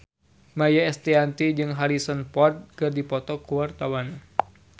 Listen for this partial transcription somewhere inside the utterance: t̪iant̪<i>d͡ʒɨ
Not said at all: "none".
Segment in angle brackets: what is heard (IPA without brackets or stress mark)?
i